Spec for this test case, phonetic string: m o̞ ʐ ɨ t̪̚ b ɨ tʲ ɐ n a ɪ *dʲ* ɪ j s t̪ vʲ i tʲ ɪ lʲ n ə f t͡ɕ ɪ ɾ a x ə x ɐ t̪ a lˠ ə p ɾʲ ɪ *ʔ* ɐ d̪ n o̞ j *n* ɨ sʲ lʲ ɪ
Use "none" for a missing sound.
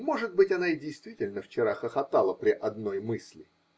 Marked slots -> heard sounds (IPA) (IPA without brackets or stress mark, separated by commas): dʲ, ʔ, m